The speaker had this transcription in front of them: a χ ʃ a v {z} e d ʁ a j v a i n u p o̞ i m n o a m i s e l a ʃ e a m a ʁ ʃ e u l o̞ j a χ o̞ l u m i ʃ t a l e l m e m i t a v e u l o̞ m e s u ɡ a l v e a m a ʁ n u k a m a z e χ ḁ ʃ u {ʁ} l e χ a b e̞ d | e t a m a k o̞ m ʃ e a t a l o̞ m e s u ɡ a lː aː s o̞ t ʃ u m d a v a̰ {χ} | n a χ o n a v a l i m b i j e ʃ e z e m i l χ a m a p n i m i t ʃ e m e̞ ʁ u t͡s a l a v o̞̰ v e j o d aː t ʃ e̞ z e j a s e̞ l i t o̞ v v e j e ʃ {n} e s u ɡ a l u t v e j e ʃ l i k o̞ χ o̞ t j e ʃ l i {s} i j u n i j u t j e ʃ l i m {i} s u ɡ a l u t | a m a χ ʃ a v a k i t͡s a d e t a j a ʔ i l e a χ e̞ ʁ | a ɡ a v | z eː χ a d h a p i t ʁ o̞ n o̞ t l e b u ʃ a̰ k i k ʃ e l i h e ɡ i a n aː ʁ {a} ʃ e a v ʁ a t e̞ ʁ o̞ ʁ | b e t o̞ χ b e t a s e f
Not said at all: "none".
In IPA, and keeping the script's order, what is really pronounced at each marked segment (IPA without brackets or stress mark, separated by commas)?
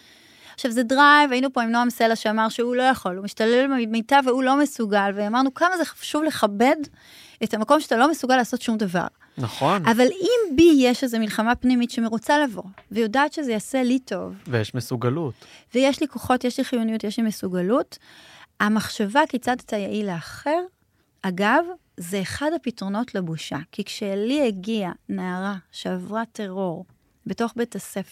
z, v, ʁ, m, χ, e, a